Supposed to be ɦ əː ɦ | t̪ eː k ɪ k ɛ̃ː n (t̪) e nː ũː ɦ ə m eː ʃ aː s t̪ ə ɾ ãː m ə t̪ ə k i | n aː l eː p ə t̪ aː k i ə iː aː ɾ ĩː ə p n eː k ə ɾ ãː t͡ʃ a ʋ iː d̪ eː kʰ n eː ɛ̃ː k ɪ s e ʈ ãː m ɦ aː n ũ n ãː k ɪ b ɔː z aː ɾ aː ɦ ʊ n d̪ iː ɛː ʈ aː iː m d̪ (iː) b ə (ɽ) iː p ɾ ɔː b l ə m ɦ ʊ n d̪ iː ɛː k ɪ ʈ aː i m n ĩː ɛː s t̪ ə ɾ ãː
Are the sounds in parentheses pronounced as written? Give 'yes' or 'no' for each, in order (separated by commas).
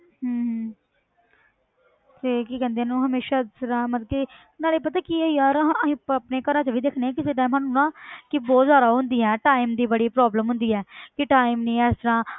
no, yes, yes